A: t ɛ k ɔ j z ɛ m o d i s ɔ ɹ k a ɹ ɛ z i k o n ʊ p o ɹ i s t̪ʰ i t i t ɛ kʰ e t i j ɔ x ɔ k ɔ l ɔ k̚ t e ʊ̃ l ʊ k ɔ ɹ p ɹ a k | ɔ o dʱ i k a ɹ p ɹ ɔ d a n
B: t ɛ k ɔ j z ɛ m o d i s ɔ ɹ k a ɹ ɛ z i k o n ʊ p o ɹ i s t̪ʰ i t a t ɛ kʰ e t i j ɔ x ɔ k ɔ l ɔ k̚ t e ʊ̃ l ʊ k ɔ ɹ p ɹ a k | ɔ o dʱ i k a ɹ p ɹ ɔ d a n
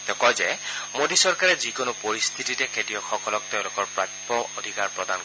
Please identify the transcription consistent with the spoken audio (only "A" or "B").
A